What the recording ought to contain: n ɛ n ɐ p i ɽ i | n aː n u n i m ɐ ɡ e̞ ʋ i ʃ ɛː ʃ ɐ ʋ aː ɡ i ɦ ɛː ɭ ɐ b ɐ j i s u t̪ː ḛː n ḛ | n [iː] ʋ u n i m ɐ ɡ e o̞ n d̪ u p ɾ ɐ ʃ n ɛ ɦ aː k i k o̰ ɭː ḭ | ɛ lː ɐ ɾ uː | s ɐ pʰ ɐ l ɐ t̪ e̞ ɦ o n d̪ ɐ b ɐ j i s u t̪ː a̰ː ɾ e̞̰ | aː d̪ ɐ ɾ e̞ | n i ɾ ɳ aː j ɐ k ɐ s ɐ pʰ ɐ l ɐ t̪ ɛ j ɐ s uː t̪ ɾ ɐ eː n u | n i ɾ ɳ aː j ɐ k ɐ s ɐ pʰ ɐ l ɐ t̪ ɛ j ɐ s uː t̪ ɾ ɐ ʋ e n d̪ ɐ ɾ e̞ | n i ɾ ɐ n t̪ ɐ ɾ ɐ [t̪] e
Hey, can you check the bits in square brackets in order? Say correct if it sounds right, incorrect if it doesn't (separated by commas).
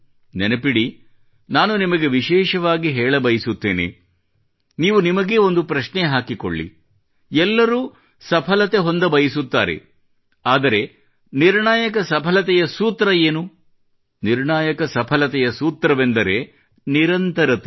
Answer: correct, correct